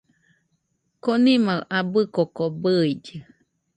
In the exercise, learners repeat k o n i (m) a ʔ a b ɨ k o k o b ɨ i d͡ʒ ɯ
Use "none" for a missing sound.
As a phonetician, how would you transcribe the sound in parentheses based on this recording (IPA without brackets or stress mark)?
m